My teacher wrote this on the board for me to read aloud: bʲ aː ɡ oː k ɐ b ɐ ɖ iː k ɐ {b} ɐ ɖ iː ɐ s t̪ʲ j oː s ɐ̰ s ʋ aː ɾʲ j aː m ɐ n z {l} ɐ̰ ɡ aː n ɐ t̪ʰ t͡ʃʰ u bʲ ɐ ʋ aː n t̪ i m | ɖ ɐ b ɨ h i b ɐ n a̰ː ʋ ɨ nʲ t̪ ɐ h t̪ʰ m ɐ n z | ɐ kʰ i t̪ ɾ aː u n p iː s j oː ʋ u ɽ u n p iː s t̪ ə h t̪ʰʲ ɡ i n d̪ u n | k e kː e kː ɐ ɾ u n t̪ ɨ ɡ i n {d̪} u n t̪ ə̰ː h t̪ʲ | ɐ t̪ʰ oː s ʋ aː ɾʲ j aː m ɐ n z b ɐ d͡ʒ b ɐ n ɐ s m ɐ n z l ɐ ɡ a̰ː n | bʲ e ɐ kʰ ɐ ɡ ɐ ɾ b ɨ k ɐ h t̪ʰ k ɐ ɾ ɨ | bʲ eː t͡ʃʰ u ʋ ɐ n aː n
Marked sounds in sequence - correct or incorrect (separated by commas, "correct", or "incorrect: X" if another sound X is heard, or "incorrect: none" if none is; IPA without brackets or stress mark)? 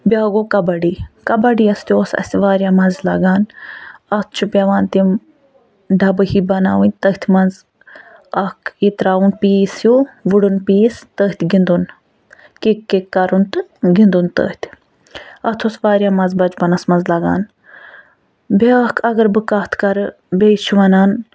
correct, correct, correct